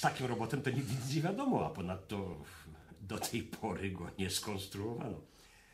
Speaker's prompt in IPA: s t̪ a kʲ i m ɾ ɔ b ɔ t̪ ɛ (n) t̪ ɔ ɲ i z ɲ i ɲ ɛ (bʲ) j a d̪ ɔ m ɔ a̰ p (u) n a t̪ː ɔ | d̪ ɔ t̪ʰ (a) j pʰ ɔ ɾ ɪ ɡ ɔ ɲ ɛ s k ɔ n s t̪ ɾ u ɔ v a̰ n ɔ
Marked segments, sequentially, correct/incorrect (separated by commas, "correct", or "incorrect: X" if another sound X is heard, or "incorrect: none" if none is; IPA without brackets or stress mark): incorrect: m, incorrect: vʲ, incorrect: ɔ, incorrect: ɛ